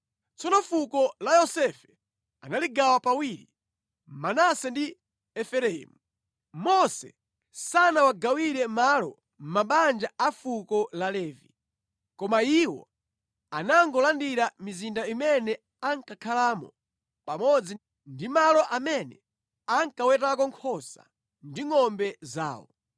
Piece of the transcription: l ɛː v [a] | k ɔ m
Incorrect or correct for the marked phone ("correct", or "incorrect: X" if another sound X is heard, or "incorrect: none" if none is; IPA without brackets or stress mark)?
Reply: incorrect: i